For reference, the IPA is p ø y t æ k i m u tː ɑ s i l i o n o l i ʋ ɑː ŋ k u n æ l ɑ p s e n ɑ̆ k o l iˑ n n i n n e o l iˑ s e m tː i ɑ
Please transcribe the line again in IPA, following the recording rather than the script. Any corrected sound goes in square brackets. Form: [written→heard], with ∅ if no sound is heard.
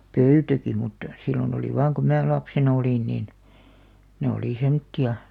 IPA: p ø y t æ k i m u tː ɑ s i l i o n o l i ʋ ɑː ŋ k u [n→m] æ l ɑ p s e n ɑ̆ [k→∅] o l iˑ n n i n n e o l iˑ s e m tː i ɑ